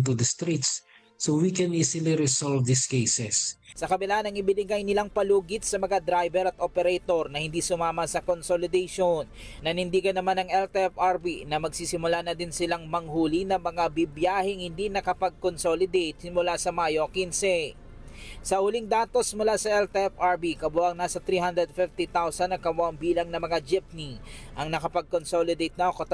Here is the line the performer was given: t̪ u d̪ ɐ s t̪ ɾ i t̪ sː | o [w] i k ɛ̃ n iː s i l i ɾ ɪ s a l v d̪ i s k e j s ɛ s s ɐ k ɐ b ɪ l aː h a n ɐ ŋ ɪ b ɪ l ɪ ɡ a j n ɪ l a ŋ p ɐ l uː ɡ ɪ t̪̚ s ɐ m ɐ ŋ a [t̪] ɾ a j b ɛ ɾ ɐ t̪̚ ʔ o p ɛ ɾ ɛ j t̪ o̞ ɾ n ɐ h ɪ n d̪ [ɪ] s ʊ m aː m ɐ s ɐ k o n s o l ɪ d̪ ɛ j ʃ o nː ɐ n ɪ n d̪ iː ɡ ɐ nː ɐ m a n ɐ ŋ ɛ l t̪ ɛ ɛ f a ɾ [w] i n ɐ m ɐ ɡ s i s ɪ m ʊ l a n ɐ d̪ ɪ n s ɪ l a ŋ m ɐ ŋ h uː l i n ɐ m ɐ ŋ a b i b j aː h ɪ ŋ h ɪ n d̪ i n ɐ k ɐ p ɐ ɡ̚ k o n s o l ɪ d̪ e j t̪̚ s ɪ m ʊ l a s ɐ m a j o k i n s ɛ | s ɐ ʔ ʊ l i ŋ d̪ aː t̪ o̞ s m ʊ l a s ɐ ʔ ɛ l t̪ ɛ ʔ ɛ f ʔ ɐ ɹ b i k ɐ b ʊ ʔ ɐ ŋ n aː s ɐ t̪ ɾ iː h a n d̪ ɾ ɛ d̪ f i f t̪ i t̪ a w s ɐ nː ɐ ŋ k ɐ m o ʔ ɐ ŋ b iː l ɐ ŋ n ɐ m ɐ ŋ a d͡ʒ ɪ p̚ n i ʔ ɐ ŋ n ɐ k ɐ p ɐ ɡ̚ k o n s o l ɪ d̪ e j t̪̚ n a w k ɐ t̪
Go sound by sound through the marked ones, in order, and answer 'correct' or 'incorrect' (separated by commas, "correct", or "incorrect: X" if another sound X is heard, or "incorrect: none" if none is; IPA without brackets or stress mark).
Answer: correct, incorrect: d̪, incorrect: i, incorrect: b